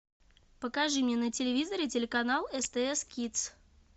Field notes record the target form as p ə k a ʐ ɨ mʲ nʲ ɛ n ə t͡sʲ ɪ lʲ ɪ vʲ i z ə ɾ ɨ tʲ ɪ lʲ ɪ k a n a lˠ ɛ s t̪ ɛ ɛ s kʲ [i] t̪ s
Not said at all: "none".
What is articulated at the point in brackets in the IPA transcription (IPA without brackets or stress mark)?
i